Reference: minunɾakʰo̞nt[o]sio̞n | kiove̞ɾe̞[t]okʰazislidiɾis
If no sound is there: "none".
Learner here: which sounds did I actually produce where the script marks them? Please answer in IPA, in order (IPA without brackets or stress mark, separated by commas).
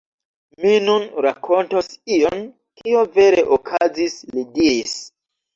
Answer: o, ʔ